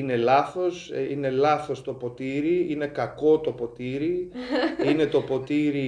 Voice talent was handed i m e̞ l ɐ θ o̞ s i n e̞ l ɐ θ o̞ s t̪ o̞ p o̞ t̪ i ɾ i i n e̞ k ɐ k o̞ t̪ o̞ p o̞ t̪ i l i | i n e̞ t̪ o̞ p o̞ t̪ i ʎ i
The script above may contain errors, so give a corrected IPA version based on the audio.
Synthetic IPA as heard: i n e̞ l ɐ θ o̞ s i n e̞ l ɐ θ o̞ s t̪ o̞ p o̞ t̪ i ɾ i i n e̞ k ɐ k o̞ t̪ o̞ p o̞ t̪ i ɾ i | i n e̞ t̪ o̞ p o̞ t̪ i ɾ i